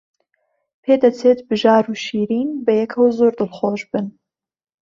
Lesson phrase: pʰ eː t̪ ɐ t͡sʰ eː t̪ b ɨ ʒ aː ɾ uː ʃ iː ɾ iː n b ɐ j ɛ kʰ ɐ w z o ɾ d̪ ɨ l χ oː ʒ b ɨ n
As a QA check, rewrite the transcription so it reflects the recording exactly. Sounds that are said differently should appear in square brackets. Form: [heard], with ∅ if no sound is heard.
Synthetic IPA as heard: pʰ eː [d̪] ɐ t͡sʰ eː t̪ b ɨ ʒ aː ɾ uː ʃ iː ɾ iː n b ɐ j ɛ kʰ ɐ w z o ɾ d̪ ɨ l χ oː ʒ b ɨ n